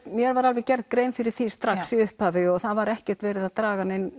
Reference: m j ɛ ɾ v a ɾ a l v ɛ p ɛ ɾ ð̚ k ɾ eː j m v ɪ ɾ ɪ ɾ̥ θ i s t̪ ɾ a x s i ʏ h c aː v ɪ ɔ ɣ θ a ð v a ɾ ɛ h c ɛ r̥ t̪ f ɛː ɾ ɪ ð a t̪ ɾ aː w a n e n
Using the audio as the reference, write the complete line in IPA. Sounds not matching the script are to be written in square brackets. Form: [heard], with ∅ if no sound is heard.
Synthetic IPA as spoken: m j ɛ ɾ v a ɾ a l v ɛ [c] ɛ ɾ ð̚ k ɾ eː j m [f] ɪ ɾ ɪ ɾ̥ θ i s t̪ ɾ a x s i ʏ h [p] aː v ɪ ɔ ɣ θ a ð v a ɾ ɛ h c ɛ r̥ t̪ [v] ɛː ɾ ɪ ð a t̪ ɾ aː [ɣ] a n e n